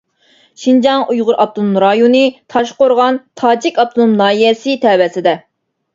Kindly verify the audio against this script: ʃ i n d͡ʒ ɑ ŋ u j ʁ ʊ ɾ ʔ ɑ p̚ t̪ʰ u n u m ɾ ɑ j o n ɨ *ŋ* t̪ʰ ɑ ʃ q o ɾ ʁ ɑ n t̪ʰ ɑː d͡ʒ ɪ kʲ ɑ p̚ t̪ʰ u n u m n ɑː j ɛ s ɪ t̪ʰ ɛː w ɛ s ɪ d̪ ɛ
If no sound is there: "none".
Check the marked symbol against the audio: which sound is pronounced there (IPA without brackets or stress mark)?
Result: none